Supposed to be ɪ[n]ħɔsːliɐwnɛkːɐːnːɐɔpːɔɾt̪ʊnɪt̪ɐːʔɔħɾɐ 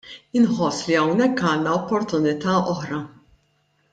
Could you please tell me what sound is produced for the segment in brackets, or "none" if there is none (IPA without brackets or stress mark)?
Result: n